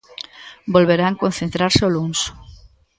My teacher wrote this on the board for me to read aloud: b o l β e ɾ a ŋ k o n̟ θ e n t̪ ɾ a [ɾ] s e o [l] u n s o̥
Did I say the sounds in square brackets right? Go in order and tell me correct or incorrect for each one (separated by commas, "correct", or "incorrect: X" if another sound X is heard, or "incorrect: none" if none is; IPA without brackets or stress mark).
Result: correct, correct